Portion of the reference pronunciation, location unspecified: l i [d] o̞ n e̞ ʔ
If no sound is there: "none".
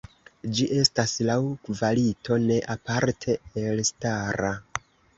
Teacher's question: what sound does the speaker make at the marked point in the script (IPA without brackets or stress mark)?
t